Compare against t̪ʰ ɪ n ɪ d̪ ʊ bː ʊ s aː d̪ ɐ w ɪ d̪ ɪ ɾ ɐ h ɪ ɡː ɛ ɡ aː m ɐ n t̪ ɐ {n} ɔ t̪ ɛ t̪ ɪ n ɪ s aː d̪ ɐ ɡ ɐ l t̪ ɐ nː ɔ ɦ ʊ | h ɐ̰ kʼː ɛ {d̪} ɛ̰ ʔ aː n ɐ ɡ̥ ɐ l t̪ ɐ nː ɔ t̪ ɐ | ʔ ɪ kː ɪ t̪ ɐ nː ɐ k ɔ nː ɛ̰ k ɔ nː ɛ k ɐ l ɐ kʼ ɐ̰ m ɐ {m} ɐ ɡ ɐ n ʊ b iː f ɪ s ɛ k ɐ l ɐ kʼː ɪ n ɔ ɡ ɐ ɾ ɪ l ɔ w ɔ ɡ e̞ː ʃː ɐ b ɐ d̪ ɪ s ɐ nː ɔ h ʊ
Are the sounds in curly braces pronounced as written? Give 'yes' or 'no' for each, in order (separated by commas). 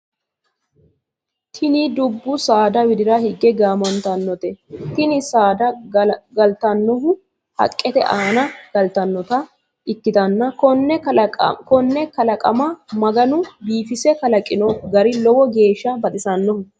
no, no, yes